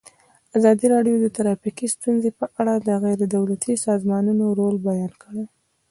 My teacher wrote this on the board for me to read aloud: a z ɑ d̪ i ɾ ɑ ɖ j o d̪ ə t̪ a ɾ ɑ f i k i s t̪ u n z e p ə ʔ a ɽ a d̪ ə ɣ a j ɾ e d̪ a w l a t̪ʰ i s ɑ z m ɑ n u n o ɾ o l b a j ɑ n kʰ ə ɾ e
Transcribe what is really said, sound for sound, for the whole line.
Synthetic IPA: a z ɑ d̪ i ɾ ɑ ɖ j o d̪ ə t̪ a ɾ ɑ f i k i s t̪ u n z e p ə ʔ a ɽ a d̪ ə ɣ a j ɾ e d̪ a w l a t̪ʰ i s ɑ z m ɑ n u n o ɾ o l b a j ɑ n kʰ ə ɽ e